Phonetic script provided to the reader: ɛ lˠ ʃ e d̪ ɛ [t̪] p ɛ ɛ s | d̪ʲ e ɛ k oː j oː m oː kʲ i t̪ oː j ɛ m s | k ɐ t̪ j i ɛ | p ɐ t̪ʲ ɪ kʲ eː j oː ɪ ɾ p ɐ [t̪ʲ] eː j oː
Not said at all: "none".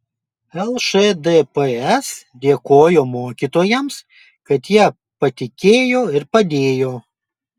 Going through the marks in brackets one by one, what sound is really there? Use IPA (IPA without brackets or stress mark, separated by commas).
none, d̪ʲ